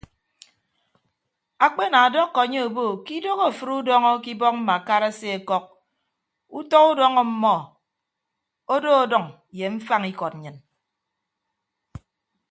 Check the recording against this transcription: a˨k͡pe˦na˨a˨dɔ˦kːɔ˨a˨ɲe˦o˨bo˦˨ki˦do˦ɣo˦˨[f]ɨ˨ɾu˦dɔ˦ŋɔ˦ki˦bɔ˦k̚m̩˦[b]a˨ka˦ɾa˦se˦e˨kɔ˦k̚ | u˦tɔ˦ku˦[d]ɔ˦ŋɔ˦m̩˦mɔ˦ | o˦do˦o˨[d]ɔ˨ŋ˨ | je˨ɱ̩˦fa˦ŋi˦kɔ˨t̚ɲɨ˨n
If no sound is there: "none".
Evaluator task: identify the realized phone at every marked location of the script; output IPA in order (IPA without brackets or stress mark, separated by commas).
f, m, d, d